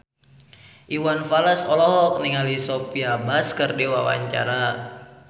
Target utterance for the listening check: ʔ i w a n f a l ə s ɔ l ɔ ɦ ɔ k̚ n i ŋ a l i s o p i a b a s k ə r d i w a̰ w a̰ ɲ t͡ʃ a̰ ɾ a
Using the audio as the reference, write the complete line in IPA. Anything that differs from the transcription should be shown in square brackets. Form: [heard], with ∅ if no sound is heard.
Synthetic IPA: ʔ i w a n f a l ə s ɔ l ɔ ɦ ɔ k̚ n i ŋ a l i s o p i a b a s k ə r d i w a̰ w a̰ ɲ t͡ʃ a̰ ɾ a